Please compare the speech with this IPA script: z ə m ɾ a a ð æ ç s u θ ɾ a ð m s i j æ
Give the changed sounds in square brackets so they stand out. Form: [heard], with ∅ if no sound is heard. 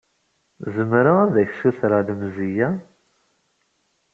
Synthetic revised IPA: z ə m ɾ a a ð æ ç s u θ ɾ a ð m [z] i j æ